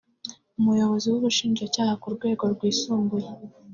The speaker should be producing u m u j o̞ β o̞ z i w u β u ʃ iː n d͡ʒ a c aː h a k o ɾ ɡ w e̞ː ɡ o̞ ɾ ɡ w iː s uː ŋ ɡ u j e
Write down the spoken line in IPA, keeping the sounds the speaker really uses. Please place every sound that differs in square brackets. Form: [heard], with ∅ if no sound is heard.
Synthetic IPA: u m u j o̞ β o̞ z i w u β u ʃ iː n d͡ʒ a c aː h a k [u] ɾ ɡ w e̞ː ɡ o̞ ɾ ɡ w iː s uː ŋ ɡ u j e